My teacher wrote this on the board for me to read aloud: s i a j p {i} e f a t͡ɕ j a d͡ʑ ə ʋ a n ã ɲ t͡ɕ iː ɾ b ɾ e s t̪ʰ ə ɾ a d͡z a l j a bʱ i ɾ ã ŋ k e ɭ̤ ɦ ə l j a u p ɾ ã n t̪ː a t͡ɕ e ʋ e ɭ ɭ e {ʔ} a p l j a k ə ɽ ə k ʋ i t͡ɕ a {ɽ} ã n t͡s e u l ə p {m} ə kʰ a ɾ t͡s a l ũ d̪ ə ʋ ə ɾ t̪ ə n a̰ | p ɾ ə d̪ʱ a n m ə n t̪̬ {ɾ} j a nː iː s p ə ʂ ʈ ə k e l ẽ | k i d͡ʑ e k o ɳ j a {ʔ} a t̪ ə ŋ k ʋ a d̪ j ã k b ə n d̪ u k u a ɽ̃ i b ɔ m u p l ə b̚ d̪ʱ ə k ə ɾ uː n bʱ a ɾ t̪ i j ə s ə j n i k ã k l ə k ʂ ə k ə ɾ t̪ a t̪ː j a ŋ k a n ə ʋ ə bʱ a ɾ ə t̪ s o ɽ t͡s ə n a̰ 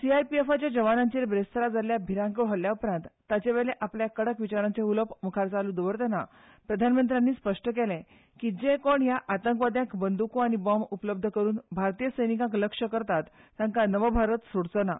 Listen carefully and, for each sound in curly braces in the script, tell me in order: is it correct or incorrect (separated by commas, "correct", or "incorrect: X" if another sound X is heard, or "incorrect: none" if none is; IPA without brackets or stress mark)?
correct, correct, incorrect: ɾ, correct, correct, correct